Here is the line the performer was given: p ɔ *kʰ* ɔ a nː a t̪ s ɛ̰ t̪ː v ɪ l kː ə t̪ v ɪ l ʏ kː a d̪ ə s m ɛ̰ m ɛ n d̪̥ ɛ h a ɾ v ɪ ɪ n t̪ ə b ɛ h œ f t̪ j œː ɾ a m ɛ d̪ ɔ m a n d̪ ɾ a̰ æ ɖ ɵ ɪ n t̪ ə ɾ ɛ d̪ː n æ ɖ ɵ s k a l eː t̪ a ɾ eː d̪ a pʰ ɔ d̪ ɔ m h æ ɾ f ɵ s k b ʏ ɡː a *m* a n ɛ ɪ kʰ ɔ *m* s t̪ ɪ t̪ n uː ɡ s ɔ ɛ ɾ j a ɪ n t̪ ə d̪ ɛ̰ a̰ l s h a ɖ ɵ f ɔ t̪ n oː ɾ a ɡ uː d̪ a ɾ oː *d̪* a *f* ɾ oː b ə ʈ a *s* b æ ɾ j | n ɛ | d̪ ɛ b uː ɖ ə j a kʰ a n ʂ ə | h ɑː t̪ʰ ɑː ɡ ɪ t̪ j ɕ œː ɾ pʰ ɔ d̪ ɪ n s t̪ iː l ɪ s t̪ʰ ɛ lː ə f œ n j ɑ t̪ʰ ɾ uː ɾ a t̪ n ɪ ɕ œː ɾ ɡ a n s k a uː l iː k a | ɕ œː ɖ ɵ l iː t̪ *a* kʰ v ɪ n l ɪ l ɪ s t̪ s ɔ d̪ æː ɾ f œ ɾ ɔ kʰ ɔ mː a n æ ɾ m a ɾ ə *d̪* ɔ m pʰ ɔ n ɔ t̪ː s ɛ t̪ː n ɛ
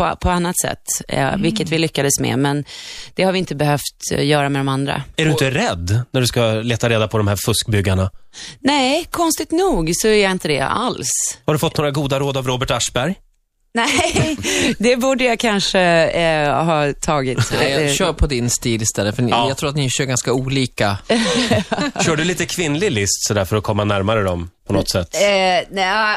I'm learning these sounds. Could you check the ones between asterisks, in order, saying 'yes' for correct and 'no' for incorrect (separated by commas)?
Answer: no, no, no, yes, no, no, no, yes